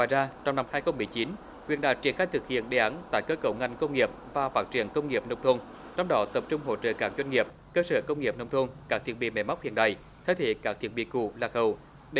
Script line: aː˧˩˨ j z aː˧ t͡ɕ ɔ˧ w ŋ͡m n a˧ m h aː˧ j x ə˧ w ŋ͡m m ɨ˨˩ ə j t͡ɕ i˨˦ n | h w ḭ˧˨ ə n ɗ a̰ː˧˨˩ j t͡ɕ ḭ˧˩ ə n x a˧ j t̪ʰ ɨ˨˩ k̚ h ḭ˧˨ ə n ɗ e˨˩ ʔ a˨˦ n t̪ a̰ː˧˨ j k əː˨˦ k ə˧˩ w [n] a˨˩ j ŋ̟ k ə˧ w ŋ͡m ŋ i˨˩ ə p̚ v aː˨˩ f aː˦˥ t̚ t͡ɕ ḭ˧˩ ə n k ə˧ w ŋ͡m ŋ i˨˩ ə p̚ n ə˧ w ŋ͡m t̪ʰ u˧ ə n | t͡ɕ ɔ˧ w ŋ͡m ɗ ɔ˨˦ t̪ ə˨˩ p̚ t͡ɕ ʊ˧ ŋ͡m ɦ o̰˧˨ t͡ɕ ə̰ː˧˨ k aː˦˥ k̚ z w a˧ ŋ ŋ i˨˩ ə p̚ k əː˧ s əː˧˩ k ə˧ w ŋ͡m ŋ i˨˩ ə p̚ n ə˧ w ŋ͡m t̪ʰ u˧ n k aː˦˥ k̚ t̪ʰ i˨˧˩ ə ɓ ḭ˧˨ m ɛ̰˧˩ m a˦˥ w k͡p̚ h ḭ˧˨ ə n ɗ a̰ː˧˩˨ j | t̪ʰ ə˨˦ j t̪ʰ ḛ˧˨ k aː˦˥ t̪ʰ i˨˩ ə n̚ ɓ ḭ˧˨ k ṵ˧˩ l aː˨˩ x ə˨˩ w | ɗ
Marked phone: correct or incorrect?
incorrect: ŋ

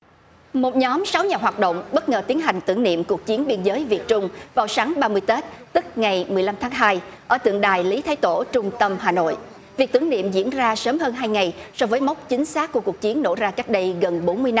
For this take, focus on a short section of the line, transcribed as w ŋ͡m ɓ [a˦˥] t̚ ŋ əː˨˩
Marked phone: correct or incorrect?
incorrect: ə˦˥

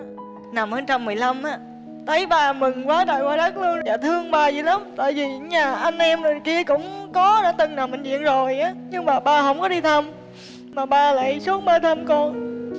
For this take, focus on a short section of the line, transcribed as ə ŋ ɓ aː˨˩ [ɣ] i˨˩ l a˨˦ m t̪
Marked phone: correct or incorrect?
incorrect: z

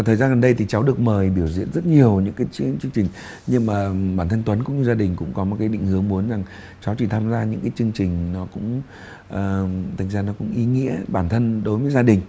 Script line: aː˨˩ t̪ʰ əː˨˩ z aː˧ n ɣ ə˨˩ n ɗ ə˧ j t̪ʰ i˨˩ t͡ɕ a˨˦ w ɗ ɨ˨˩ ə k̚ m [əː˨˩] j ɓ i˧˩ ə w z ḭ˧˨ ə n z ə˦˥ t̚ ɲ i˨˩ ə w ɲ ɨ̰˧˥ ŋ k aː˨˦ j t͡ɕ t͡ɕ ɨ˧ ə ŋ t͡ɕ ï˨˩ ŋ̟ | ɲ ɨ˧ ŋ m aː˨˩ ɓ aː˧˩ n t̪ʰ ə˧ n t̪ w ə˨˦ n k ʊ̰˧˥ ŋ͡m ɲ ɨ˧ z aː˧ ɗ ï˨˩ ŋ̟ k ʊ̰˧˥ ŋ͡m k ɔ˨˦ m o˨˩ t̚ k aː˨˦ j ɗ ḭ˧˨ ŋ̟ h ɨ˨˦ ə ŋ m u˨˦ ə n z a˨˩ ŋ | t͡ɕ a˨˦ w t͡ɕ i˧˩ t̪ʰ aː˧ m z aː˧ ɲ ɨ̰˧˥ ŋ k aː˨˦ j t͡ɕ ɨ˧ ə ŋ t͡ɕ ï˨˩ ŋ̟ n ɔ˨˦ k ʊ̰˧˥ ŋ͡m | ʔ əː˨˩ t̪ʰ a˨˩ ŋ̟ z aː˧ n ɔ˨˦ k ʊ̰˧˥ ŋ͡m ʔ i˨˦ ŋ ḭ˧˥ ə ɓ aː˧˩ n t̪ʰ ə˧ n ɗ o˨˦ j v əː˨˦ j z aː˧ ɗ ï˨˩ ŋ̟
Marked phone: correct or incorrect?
correct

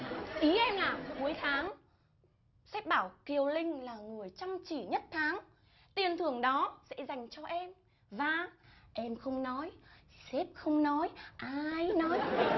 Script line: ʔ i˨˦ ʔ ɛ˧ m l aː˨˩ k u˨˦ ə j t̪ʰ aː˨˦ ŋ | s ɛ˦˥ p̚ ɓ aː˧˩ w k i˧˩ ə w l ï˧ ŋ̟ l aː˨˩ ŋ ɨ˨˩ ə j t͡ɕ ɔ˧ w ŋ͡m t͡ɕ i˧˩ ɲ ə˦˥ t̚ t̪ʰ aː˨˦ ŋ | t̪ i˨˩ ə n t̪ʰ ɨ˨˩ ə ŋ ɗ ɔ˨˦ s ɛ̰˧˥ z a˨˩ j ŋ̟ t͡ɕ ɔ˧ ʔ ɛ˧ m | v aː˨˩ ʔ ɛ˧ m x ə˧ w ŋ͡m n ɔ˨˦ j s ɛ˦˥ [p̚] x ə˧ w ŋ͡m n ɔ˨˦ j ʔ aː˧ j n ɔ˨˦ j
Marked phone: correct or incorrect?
correct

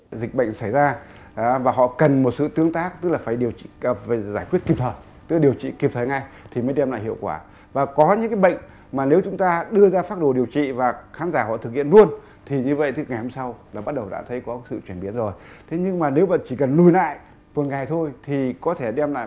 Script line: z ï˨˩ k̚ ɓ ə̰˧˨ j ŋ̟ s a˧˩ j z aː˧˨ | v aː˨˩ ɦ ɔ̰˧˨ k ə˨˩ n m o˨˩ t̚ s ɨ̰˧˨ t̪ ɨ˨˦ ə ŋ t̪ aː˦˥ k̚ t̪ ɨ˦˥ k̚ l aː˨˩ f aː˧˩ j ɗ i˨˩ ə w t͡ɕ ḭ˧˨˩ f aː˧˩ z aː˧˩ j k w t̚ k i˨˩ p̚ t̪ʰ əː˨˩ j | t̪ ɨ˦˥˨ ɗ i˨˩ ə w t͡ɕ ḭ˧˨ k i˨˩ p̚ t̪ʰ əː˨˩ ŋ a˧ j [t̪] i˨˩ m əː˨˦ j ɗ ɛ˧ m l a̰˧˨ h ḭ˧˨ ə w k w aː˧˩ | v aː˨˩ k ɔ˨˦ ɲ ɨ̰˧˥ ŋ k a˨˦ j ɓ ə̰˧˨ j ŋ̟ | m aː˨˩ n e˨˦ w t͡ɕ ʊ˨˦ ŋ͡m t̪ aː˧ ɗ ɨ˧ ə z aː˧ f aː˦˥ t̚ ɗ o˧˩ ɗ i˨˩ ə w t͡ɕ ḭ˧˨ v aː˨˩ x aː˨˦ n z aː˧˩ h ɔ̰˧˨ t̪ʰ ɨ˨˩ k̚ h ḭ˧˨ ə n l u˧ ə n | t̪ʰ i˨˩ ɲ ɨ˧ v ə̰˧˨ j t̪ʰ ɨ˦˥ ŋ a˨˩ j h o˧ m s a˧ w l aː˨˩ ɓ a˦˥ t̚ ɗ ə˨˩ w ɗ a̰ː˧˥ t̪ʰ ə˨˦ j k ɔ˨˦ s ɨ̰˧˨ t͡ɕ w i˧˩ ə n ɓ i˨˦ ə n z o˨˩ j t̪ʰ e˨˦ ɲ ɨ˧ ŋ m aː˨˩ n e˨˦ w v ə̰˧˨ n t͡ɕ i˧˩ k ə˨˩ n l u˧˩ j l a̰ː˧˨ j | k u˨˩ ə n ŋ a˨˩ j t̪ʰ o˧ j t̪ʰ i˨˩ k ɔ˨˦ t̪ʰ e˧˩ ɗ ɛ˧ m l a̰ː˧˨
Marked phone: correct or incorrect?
incorrect: t̪ʰ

